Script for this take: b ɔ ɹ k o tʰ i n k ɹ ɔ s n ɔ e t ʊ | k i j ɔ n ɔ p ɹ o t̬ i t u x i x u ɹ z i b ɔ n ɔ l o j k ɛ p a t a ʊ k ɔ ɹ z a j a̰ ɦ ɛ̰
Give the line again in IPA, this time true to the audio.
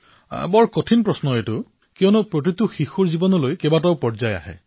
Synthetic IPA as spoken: b ɔ ɹ k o tʰ i n p ɹ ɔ s n ɔ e t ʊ | k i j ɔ n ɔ p ɹ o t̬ i t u x i x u ɹ z i b ɔ n ɔ l o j k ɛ b a t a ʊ p ɔ ɹ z a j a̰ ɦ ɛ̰